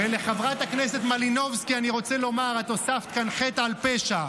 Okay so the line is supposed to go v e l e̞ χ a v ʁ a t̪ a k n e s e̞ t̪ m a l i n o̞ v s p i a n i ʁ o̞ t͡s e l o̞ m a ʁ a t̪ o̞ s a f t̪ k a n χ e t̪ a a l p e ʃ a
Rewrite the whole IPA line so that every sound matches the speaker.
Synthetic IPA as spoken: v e l e̞ χ a v ʁ a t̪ a k n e s e̞ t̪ m a l i n o̞ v s k i a n i ʁ o̞ t͡s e l o̞ m a ʁ a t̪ o̞ s a f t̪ k a n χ e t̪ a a l p e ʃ a

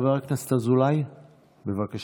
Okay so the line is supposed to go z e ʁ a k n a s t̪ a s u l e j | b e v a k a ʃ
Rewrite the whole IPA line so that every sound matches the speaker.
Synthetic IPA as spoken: v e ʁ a k n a s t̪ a z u l a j | b e v a k a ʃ

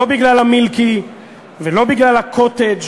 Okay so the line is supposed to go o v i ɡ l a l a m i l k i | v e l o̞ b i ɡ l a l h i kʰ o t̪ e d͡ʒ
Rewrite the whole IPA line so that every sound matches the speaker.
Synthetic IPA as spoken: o b i ɡ l a l a m i l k i | v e l o̞ b i ɡ l a l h a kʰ o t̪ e d͡ʒ

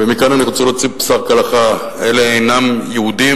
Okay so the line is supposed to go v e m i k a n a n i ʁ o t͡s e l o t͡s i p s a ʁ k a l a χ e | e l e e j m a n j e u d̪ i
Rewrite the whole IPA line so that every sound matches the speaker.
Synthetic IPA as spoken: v e m i k a n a n i ʁ o t͡s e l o t͡s i p s a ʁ k a l a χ a | e l e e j n a m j e u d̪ i

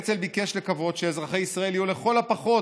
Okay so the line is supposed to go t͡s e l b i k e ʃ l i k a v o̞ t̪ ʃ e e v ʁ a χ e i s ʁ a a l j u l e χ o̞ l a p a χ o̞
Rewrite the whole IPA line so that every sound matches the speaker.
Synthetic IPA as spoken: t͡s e l b i k e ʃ l e k a v o̞ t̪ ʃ e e z ʁ a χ e i s ʁ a e l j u l e χ o̞ l a p a χ o̞

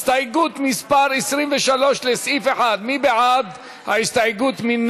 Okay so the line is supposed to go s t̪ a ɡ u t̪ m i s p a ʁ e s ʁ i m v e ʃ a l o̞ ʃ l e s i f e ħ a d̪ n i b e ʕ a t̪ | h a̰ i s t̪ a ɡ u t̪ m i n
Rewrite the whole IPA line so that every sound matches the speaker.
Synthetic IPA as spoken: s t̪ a ɡ u t̪ m i s p a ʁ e s ʁ i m v e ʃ a l o̞ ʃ l e s i f e ħ a d̪ m i b e ʕ a d̪ | h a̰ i s t̪ a ɡ u t̪ m i n

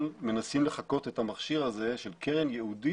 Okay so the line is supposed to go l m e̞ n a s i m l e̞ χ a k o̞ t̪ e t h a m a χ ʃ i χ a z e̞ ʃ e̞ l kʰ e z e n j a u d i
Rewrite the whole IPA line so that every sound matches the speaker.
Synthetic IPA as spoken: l m e̞ n a s i m l e̞ χ a k o̞ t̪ e t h a m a χ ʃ i ʁ a z e̞ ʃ e̞ l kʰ e ʁ e n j e u d i

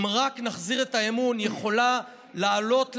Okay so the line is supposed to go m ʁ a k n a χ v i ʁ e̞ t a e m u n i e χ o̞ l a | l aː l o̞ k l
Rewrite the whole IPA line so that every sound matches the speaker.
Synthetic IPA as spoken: m ʁ a k n a χ z i ʁ e̞ t a e m u n j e χ o̞ l a | l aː l o̞ t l

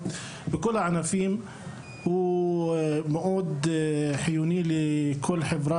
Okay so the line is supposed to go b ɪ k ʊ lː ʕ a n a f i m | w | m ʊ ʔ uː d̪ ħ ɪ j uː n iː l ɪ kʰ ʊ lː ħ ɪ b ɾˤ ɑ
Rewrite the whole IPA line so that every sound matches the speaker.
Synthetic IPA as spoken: b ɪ k ʊ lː ʕ a n a f iː m | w | m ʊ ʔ uː d̪ ħ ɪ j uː n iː l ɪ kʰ ʊ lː ħ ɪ b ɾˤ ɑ

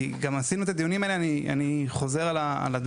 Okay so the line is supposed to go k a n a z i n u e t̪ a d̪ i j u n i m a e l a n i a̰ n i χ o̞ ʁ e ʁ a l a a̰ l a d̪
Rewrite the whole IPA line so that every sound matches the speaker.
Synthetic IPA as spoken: ɡ a m a s i n u e t̪ a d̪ i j u n i m a e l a n i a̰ n i χ o̞ z e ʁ a l a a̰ l a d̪

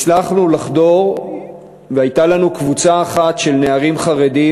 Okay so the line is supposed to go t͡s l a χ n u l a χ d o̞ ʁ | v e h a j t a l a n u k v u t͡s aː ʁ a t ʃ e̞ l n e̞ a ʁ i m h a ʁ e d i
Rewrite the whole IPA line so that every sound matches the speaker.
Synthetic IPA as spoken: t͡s l a χ n u l a χ d o̞ ʁ | v e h a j t a l a n u k v u t͡s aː χ a t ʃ e̞ l n e̞ a ʁ i m χ a ʁ e d i

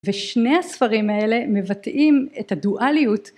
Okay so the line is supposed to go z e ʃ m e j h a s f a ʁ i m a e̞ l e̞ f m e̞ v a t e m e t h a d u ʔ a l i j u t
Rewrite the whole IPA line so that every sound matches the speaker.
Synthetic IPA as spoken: v e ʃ n e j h a s f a ʁ i m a e̞ l e̞ m e̞ v a t i m e t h a d u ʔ a l i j u t

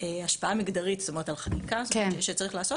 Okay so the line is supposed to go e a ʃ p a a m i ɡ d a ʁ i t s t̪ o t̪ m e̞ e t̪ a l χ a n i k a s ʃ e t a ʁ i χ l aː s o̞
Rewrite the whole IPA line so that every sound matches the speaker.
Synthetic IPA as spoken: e a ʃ p a a m i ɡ d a ʁ i t s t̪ o m e̞ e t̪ a l χ a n i k a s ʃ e t͡s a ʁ i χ l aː s o̞

